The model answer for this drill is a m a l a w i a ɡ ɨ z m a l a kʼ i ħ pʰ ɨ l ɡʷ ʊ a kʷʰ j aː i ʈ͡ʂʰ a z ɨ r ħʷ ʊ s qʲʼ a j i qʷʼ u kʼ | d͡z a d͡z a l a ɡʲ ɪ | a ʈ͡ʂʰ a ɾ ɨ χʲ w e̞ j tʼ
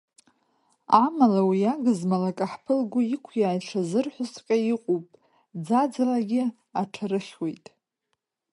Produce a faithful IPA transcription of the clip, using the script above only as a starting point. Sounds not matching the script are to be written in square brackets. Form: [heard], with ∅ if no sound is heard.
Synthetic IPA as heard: a m a l a w i a ɡ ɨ z m a l a kʼ [a] ħ pʰ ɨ l ɡʷ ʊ [i] kʷʰ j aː [j] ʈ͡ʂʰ a z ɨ r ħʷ ʊ s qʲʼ a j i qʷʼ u [pʼ] | d͡z a d͡z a l a ɡʲ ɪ | a ʈ͡ʂʰ a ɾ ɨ χʲ w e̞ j tʼ